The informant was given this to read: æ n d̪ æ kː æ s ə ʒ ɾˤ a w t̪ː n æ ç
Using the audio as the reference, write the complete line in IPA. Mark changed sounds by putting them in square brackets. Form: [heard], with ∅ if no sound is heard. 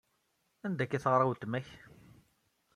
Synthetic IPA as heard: æ n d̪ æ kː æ [θ] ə [ʁ] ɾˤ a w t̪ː [m] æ ç